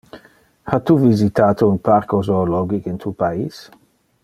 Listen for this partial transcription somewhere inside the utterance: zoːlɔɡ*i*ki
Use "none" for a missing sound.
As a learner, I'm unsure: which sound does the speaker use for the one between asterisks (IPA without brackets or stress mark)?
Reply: i